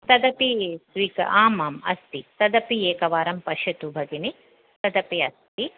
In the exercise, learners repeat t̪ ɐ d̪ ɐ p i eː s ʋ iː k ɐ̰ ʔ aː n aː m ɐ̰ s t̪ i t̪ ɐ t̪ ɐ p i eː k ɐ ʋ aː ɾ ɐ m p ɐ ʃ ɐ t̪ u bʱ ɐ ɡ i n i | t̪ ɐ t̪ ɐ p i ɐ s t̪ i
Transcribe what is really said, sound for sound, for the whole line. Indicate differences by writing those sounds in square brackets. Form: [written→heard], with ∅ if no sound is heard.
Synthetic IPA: t̪ ɐ d̪ ɐ p i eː s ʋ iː k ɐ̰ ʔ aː [n→m] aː m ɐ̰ s t̪ i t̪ ɐ [t̪→d̪] ɐ p i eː k ɐ ʋ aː ɾ ɐ m p ɐ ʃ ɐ t̪ u bʱ ɐ ɡ i n i | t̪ ɐ [t̪→d̪] ɐ p i ɐ s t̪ i